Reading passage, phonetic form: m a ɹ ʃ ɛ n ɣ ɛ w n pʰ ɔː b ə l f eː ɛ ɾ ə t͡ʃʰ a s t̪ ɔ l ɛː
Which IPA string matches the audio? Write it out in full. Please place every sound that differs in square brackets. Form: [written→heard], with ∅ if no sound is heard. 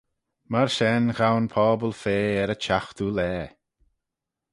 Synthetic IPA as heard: m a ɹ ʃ ɛ n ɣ [ɛ→a] w n pʰ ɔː b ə l f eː ɛ ɾ ə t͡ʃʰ a [s→x] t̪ [ɔ→u] l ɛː